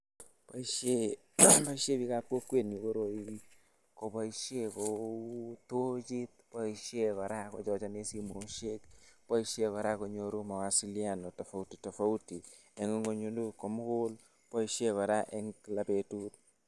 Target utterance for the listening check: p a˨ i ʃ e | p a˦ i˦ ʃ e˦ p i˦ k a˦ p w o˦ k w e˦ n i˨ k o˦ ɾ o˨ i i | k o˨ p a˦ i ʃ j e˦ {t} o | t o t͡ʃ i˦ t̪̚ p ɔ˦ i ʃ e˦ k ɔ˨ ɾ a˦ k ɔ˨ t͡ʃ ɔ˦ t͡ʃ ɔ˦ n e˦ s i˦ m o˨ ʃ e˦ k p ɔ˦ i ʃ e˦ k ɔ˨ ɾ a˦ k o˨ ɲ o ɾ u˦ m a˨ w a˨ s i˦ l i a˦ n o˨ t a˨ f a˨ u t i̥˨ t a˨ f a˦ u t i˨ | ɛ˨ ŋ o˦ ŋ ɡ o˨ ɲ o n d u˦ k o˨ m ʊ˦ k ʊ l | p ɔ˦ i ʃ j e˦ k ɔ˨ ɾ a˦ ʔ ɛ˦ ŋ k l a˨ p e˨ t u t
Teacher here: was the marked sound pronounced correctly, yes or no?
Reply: no